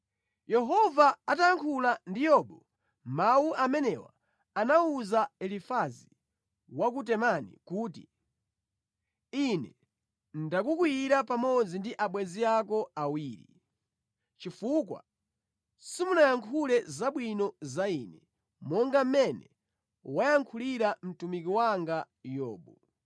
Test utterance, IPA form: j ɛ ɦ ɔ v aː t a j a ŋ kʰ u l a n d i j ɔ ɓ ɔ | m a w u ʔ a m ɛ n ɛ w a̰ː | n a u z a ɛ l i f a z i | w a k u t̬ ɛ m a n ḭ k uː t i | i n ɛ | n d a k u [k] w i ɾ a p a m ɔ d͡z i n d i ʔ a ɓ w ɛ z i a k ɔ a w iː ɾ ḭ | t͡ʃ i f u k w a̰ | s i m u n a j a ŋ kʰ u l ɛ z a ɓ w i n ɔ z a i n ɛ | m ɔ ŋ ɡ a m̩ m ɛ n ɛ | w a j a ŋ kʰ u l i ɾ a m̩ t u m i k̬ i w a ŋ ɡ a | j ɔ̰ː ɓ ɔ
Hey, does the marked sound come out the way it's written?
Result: yes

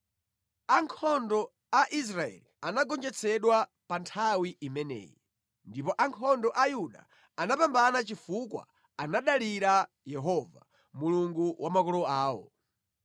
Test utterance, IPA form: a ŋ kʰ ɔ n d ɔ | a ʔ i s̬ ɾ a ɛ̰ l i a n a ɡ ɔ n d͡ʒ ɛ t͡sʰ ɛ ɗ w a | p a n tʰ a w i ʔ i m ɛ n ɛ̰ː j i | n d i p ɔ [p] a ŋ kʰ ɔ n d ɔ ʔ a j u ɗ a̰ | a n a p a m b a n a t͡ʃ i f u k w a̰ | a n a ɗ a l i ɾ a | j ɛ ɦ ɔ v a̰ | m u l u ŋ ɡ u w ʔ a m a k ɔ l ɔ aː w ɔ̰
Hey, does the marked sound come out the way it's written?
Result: no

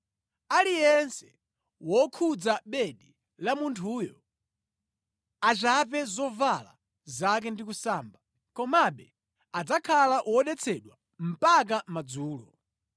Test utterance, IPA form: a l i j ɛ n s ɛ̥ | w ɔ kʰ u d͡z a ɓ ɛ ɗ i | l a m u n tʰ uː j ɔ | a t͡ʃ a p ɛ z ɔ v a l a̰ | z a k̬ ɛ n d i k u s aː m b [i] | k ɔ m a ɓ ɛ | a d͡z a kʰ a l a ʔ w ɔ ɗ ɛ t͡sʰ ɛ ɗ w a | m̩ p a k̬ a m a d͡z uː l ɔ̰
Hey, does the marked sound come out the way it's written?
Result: no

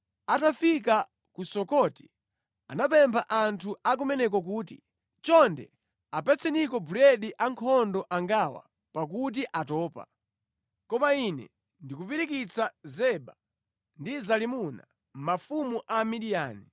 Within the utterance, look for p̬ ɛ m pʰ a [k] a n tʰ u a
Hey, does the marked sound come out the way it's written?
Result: no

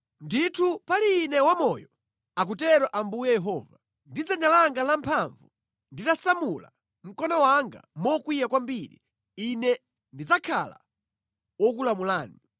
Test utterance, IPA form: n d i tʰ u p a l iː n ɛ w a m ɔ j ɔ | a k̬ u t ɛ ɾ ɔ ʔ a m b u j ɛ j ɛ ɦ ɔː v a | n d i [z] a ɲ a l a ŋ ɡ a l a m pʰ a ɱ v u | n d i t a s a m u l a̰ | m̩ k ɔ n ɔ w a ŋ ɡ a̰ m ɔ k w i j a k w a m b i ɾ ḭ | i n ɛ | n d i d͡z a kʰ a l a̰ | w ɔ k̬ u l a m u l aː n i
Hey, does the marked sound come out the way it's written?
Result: no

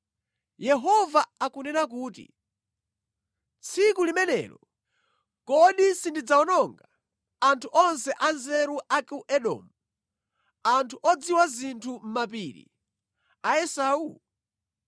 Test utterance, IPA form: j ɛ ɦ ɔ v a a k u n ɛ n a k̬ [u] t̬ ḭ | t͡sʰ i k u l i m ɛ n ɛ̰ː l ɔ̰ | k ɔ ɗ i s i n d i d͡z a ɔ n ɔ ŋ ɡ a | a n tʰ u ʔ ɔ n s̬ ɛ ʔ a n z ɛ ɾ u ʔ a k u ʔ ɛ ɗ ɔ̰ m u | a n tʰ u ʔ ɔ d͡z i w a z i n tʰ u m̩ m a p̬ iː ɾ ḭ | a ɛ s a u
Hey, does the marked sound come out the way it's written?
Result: no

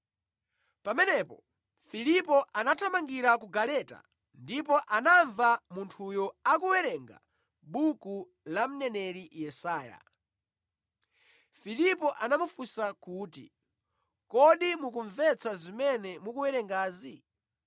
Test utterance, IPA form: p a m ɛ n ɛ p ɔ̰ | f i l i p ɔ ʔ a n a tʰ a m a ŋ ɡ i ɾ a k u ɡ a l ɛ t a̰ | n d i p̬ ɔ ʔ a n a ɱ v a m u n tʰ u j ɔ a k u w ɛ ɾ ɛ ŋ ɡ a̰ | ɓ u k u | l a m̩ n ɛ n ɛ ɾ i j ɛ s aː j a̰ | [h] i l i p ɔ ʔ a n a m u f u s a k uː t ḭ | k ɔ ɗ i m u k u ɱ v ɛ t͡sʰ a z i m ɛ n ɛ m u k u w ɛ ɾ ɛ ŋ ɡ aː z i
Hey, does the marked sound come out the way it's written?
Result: no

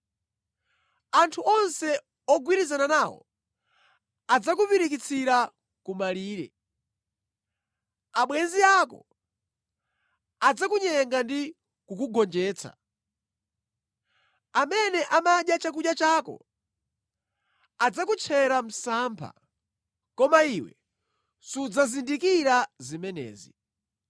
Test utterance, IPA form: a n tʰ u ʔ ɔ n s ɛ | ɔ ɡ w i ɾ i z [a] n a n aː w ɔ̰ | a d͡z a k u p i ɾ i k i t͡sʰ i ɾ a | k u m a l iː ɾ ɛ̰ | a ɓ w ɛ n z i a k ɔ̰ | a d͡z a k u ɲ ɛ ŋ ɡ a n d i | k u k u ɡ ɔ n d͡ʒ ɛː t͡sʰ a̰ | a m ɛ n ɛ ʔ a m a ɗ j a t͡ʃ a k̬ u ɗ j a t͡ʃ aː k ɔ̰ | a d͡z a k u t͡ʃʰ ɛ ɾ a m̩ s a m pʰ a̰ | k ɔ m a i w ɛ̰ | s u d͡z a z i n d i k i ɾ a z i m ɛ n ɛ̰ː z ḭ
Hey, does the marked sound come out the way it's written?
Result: yes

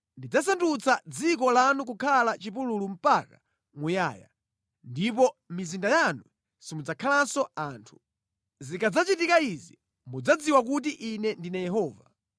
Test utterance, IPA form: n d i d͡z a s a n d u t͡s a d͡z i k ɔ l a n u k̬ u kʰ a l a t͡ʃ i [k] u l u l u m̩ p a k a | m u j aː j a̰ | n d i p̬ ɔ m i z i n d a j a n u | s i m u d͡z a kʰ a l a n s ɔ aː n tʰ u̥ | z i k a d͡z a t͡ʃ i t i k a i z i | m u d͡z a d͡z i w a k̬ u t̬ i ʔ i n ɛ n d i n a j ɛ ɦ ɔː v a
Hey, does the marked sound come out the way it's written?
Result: no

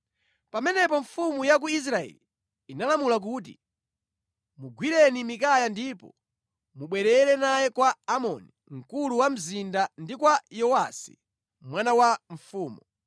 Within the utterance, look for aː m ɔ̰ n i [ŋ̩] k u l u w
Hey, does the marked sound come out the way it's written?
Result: yes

